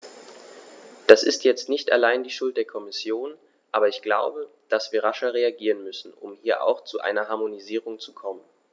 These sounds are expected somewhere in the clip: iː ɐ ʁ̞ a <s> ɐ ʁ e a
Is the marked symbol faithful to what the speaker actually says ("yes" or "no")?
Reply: no